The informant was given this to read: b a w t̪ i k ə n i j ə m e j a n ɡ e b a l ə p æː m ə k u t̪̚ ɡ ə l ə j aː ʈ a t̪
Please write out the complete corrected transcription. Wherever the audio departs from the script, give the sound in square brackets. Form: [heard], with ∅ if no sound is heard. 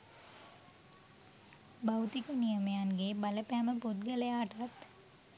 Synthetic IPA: b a w t̪ i k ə n i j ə m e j a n ɡ e b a l ə p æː m ə [p] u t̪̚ ɡ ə l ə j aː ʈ a t̪